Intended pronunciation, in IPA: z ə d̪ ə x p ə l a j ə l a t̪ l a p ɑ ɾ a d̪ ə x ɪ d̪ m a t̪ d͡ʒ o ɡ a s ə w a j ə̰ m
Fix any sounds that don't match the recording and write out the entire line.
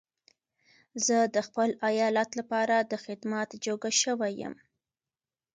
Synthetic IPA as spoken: z ə d̪ ə x p ə l a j ɑ l a t̪ l a p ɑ ɾ a d̪ ə x ɪ d̪ m a t̪ d͡ʒ o ɡ a ʃ ə w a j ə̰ m

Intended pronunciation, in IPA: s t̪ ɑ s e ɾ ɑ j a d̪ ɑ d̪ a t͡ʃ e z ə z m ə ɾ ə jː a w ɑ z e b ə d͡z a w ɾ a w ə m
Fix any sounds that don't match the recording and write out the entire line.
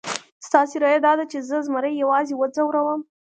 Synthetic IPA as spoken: s t̪ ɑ s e ɾ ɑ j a d̪ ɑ d̪ a t͡ʃ e z ə z m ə ɾ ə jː a w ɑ z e w ə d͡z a w ɾ a w ə m

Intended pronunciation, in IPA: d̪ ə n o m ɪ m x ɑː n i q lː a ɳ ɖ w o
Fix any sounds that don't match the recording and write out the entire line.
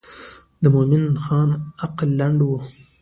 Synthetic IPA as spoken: d̪ ə m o m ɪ n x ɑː n a q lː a ɳ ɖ w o

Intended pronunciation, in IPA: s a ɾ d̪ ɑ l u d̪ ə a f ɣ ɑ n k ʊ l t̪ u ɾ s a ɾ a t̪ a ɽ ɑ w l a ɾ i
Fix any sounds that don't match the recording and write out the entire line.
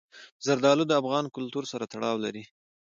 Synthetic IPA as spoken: z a ɾ d̪ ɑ l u d̪ ə a f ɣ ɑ n k ʊ l t̪ u ɾ s a ɾ a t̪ a ɽ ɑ w l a ɾ i

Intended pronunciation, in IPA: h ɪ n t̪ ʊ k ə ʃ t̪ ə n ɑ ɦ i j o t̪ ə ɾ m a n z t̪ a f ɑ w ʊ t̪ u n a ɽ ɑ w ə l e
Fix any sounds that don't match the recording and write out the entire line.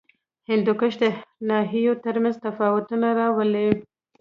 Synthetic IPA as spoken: h ɪ n d̪ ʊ k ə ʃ d̪ ə n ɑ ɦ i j o t̪ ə ɾ m a n z t̪ a f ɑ w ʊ t̪ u n a ɾ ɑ w ə l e

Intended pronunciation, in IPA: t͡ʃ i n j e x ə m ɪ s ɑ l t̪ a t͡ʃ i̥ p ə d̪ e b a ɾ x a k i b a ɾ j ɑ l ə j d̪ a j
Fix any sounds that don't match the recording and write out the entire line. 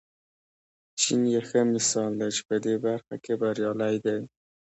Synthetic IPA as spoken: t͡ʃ i n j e x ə m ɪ s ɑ l d̪ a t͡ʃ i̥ p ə d̪ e b a ɾ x a k e b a ɾ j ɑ l a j d̪ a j

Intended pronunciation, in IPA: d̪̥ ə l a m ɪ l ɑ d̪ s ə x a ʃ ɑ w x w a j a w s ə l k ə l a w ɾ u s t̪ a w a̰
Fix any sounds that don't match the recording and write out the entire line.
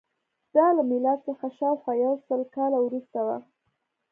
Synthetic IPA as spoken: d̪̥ ɑ l a m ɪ l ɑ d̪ s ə x a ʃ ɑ w x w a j a w s ə l k ɑ l a w ɾ u s t̪ a w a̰

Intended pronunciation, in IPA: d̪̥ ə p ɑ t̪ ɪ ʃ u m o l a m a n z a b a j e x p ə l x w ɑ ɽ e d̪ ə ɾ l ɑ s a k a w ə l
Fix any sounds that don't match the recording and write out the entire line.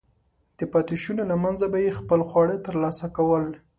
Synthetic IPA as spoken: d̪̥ ə p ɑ t̪ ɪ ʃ u n o l a m a n z a b a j e x p ə l x w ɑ ɽ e t̪ ə ɾ l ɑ s a k a w ə l

